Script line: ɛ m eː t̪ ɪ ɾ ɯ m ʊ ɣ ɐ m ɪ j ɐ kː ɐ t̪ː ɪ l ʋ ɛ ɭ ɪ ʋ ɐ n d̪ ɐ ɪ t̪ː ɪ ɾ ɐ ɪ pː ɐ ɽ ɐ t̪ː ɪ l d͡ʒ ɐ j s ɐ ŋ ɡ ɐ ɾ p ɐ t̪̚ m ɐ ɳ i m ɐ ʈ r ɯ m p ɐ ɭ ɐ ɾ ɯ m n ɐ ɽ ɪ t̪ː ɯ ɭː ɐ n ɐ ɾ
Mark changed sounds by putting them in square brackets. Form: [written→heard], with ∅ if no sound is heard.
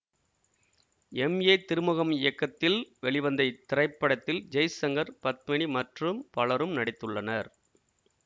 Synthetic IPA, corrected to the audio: ɛ m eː t̪ ɪ ɾ ɯ m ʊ ɣ ɐ m ɪ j ɐ kː ɐ t̪ː ɪ l ʋ ɛ ɭ ɪ ʋ ɐ n d̪ ɐ ɪ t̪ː ɪ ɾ ɐ ɪ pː ɐ ɽ ɐ t̪ː ɪ l d͡ʒ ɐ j s ɐ ŋ ɡ ɐ ɾ p ɐ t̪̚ m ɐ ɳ i m ɐ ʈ r ɯ m p ɐ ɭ ɐ ɾ ɯ m n ɐ ɽ ɪ t̪ː ɯ ɭː ɐ n ɐ ɾ